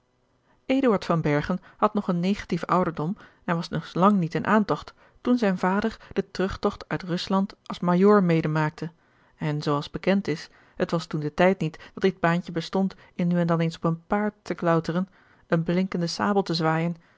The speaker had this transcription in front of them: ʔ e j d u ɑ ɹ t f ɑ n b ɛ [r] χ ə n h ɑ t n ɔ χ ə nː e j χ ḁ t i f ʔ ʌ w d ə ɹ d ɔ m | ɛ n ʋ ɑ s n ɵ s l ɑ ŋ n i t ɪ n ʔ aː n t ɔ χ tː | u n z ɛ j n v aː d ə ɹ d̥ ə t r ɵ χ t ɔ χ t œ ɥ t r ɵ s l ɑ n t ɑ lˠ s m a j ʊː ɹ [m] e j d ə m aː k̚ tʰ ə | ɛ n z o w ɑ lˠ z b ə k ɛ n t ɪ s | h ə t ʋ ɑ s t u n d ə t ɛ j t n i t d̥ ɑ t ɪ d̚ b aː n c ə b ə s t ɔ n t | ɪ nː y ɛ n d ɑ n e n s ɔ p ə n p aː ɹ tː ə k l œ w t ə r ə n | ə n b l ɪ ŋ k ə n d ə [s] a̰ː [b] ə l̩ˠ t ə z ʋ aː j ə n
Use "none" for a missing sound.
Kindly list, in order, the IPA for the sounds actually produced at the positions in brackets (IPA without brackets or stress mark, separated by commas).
ɹ, m, s, b